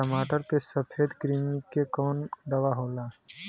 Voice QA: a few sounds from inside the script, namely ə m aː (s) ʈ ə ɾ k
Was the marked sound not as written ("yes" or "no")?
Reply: yes